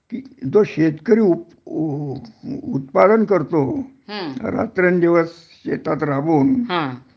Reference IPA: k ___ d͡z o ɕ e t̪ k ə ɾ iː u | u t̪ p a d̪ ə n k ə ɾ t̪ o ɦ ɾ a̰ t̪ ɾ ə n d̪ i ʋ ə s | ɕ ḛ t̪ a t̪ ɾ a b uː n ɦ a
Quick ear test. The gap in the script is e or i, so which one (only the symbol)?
i